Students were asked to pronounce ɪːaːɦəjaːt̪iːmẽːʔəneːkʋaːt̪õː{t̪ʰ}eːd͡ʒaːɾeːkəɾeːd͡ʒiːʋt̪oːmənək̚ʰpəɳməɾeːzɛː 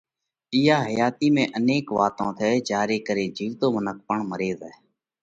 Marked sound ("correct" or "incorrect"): correct